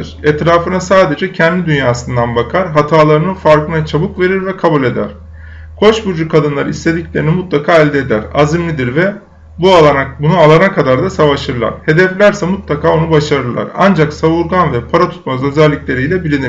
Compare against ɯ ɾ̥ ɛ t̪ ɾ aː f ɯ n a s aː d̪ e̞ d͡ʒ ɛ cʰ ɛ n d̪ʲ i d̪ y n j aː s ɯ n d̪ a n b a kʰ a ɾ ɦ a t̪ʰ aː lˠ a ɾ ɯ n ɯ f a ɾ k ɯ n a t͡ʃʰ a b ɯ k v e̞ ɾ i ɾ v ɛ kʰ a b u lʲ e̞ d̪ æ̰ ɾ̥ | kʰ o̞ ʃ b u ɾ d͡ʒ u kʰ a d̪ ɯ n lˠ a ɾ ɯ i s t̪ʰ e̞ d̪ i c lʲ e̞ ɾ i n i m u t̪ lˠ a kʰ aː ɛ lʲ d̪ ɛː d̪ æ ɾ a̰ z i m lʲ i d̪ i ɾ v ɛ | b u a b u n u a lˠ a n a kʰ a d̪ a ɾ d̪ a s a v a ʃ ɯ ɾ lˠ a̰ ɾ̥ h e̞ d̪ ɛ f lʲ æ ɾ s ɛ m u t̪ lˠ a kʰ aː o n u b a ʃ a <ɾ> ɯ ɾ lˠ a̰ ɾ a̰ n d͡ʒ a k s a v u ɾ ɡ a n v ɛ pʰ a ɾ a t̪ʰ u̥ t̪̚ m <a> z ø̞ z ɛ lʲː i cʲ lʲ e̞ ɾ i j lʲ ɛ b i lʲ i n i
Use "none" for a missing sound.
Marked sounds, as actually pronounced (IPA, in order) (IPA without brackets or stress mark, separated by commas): ɾ, a